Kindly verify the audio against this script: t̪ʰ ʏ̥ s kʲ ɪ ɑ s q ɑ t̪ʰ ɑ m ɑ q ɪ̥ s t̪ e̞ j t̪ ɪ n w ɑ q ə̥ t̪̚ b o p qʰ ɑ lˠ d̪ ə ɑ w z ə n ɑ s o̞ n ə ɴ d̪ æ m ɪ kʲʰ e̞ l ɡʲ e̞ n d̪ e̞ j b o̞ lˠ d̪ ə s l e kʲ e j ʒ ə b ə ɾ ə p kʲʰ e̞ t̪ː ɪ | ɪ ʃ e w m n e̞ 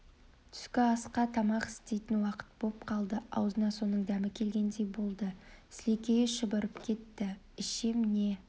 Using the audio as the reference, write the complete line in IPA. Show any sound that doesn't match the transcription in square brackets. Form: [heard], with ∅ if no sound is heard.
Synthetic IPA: t̪ʰ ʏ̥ s kʲ ɪ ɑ s q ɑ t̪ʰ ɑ m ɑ q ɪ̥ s t̪ e̞ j t̪ ɪ n w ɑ q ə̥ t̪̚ b o p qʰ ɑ lˠ d̪ ə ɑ w z ə n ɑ s o̞ n ə ɴ d̪ æ m ɪ kʲʰ e̞ l ɡʲ e̞ n d̪ e̞ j b o̞ lˠ d̪ ə s l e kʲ e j [ʃ] ə b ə ɾ ə p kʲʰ e̞ t̪ː ɪ | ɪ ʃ e [∅] m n e̞

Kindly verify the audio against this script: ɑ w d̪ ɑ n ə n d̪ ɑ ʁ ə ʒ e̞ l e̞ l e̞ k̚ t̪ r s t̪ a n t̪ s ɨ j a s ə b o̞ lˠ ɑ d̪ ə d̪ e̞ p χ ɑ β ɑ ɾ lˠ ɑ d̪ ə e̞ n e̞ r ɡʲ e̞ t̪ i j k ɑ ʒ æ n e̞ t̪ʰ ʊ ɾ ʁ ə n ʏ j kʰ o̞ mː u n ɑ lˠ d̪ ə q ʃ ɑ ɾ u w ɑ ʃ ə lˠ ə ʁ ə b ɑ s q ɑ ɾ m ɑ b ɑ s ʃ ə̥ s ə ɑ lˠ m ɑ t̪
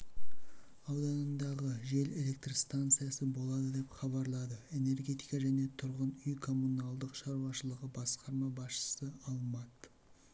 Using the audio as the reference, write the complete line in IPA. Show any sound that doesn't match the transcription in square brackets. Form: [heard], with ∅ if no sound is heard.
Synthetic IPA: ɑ w d̪ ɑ n ə n d̪ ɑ ʁ ə ʒ e̞ l e̞ l e̞ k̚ t̪ r s t̪ a n t̪ s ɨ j a s ə b o̞ lˠ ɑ d̪ ə d̪ e̞ p χ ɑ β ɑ ɾ lˠ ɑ d̪ ə e̞ n e̞ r ɡʲ e̞ t̪ i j k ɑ ʒ æ n e̞ t̪ʰ ʊ ɾ ʁ ə n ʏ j kʰ o̞ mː u n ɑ lˠ d̪ ə q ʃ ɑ ɾ u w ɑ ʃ ə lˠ ə ʁ ə b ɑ s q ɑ ɾ m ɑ b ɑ s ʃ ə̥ s ə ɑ lˠ m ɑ t̪

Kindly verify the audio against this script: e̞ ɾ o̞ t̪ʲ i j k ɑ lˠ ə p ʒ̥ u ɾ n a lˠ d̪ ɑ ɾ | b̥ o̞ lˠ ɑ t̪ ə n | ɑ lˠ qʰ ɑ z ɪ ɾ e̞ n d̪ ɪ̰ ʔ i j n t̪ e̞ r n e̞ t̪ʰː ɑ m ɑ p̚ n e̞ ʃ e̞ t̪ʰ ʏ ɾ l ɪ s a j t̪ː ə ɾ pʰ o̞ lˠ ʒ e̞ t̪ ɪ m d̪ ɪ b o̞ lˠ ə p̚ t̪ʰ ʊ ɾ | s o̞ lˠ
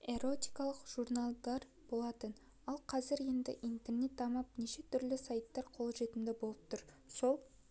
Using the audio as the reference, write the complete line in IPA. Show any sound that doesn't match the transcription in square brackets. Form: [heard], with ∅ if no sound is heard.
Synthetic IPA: e̞ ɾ o̞ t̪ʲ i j k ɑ lˠ ə [q] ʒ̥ u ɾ n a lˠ d̪ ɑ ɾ | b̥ o̞ lˠ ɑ t̪ ə n | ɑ lˠ qʰ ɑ z ɪ ɾ e̞ n d̪ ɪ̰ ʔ i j n t̪ e̞ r n e̞ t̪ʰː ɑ m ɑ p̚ n e̞ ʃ e̞ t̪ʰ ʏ ɾ l ɪ s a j t̪ː [ɑ] ɾ [qʰ] o̞ lˠ ʒ e̞ t̪ ɪ m d̪ ɪ b o̞ lˠ ə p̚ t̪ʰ ʊ ɾ | s o̞ lˠ

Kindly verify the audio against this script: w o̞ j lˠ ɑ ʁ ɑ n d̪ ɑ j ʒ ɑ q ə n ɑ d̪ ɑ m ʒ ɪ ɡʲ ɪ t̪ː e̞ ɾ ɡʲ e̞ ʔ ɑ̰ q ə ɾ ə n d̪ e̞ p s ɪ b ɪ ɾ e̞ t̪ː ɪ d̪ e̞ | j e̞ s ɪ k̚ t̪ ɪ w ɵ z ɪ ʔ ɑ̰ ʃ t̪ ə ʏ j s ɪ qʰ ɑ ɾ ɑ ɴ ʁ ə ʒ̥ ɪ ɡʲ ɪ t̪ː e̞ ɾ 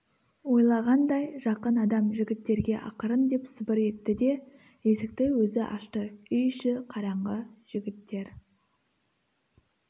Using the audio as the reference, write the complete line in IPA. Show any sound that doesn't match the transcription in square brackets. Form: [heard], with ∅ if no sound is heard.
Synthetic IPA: w o̞ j lˠ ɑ ʁ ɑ n d̪ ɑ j ʒ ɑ q ə n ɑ d̪ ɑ m ʒ ɪ ɡʲ ɪ t̪ː e̞ ɾ ɡʲ e̞ ʔ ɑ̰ q ə ɾ ə n d̪ e̞ p s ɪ b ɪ ɾ e̞ t̪ː ɪ d̪ e̞ | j e̞ s ɪ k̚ t̪ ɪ w ɵ z ɪ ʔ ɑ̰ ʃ t̪ ə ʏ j [ʃ] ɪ qʰ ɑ ɾ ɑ ɴ ʁ ə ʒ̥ ɪ ɡʲ ɪ t̪ː e̞ ɾ

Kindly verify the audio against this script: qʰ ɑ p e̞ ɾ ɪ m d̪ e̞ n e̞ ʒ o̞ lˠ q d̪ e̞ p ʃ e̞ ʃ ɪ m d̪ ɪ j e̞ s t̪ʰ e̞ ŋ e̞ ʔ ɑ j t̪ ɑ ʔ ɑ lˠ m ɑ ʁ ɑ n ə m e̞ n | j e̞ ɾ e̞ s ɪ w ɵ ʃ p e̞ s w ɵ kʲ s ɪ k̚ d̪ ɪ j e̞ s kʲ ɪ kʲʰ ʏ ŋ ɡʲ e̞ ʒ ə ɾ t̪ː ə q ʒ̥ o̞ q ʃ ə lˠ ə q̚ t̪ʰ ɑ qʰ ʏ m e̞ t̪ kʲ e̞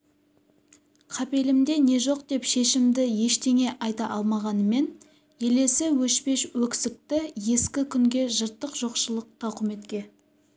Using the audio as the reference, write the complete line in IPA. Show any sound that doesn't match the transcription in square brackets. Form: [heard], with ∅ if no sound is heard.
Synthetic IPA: qʰ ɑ p e̞ [l] ɪ m d̪ e̞ n e̞ ʒ o̞ [∅] q d̪ e̞ p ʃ e̞ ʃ ɪ m d̪ ɪ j e̞ [ʃ] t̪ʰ e̞ ŋ e̞ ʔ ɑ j t̪ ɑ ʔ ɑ lˠ m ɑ ʁ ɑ n ə m e̞ n | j e̞ [l] e̞ s ɪ w ɵ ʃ p e̞ [ʃ] w ɵ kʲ s ɪ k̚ [t̪] ɪ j e̞ s kʲ ɪ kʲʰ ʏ ŋ ɡʲ e̞ ʒ ə ɾ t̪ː ə q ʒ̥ o̞ q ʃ ə lˠ ə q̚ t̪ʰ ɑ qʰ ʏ m e̞ t̪ kʲ e̞

